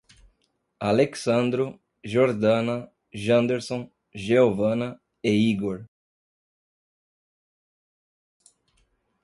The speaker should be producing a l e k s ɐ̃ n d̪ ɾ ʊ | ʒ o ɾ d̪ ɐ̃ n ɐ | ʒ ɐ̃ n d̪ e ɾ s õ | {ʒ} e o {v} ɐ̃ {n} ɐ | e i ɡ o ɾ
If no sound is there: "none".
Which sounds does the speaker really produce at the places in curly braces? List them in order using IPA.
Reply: ʒ, v, n

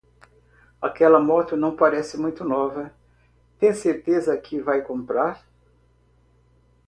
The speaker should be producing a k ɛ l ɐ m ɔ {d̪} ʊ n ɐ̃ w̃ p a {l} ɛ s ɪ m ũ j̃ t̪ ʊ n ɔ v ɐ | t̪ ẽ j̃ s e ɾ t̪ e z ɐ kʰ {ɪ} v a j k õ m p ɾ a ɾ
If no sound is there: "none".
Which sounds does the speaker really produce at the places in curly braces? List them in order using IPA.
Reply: t̪, ɾ, ɪ

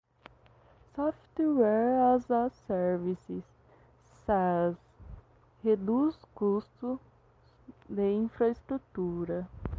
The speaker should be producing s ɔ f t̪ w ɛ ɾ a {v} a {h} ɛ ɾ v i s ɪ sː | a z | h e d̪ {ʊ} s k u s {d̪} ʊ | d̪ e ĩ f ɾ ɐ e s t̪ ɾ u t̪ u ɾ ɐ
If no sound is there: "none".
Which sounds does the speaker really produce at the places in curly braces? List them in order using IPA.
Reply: z, s, u, t̪

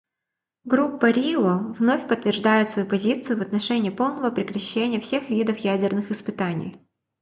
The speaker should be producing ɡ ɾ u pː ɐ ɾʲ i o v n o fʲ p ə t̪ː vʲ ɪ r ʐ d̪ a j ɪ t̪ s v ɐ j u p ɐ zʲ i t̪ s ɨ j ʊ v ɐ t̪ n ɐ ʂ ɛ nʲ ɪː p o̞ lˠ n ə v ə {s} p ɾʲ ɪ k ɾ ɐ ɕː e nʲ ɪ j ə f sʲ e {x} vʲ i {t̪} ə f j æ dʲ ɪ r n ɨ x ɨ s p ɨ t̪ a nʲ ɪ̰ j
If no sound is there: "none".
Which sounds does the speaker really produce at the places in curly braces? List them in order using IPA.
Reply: none, x, d̪

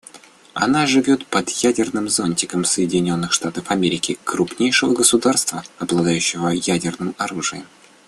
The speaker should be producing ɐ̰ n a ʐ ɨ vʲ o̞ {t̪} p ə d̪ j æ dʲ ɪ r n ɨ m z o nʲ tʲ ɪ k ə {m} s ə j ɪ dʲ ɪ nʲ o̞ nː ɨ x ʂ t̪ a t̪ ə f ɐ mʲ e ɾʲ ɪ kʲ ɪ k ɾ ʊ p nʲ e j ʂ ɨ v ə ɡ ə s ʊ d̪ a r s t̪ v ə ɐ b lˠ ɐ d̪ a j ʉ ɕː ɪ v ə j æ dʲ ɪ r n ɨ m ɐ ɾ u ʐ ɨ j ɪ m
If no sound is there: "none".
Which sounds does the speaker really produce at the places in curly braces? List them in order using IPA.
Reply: t̪, m

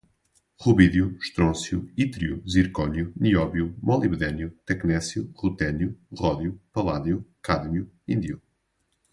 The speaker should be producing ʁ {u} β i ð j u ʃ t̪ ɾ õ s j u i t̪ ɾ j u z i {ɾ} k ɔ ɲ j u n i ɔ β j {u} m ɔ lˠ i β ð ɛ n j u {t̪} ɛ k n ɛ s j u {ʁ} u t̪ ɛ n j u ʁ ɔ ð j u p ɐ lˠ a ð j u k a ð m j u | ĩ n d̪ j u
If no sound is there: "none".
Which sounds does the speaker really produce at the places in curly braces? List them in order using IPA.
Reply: u, ɾ, u, t̪, ʁ

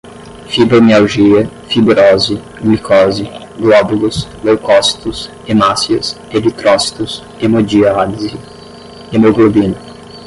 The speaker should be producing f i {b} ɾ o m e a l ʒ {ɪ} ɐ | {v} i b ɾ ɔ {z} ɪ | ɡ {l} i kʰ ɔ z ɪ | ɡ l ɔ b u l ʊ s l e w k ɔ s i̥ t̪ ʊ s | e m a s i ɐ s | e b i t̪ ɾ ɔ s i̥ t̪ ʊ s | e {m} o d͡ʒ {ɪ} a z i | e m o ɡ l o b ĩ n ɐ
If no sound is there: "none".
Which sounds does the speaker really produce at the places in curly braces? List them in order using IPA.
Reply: b, i, f, z, l, m, i

